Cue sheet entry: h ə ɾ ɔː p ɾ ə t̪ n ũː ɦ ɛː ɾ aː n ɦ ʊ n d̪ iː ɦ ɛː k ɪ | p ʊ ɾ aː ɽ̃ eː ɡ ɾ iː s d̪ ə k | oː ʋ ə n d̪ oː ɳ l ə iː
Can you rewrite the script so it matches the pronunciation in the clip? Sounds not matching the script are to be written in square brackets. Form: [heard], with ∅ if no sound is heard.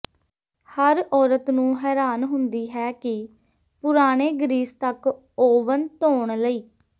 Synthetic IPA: h ə ɾ ɔː [∅] ɾ ə t̪ n ũː ɦ ɛː ɾ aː n ɦ ʊ n d̪ iː ɦ ɛː k ɪ | p ʊ ɾ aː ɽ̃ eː ɡ ɾ iː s [t̪] ə k | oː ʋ ə n [t̪] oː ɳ l ə iː